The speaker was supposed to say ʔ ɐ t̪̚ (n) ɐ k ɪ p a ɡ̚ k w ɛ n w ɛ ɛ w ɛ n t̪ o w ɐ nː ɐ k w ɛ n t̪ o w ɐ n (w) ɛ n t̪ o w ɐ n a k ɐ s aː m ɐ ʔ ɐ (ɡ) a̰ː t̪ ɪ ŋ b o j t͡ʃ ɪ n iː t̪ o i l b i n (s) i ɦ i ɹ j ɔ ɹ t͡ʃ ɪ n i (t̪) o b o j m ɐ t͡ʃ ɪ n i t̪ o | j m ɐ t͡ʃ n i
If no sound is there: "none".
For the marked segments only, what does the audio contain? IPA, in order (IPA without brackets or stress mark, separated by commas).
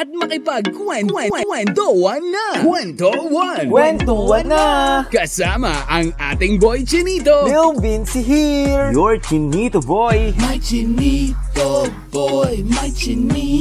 m, w, ŋ, s, t̪